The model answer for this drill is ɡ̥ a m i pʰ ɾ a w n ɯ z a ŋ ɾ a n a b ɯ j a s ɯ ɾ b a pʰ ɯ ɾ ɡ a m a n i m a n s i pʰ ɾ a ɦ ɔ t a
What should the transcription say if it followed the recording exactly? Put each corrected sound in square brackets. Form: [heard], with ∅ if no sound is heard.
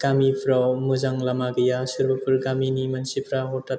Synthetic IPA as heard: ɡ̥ a m i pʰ ɾ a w [m] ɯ z a ŋ [l] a [m] a [ɡ] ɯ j a s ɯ ɾ b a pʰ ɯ ɾ ɡ a m [i] n i m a n s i pʰ ɾ a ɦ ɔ t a